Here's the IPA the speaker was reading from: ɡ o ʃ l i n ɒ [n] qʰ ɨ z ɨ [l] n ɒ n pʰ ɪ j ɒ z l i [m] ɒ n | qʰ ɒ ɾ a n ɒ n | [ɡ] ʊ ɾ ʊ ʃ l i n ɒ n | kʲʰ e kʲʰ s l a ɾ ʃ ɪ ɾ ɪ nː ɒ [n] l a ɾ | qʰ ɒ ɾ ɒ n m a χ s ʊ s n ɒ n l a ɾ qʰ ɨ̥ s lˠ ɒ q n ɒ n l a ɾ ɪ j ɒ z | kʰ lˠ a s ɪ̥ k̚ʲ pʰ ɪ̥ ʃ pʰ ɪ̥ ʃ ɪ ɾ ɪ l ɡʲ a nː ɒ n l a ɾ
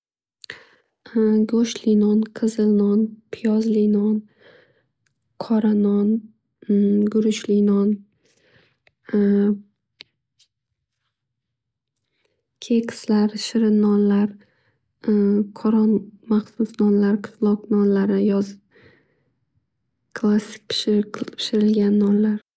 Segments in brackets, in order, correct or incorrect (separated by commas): correct, correct, incorrect, correct, correct